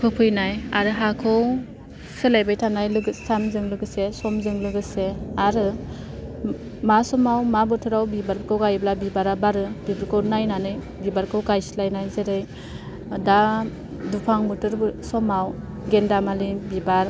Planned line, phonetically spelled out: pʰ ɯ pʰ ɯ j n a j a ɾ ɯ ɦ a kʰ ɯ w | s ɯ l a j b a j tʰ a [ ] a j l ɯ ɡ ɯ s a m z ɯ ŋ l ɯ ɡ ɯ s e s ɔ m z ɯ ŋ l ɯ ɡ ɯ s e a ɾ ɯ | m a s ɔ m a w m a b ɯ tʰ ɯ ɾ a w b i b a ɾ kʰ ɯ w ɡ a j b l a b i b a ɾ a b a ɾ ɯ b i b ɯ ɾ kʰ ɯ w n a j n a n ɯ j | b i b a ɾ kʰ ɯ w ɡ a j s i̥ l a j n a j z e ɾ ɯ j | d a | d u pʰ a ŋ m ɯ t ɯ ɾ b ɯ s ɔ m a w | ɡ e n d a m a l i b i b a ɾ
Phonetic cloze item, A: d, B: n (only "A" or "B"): B